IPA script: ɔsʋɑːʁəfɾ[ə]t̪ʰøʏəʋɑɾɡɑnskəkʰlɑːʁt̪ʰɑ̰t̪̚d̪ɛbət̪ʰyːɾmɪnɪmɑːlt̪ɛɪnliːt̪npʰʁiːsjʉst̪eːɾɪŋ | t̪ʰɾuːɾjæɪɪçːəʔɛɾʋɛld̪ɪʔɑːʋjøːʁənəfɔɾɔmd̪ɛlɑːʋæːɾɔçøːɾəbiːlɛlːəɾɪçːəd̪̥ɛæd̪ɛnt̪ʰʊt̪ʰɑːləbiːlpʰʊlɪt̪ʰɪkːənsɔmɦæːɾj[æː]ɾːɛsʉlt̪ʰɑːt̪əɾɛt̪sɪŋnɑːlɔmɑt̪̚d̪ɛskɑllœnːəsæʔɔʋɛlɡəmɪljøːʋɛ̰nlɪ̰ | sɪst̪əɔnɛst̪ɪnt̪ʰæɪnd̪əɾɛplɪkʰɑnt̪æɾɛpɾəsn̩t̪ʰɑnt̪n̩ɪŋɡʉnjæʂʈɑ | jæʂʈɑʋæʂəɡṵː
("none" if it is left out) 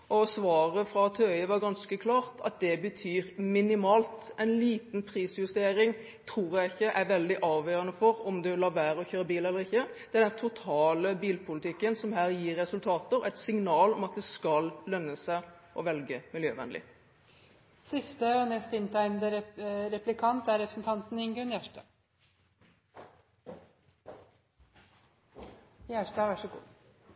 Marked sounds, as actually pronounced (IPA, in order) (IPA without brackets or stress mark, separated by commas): ɑ, iː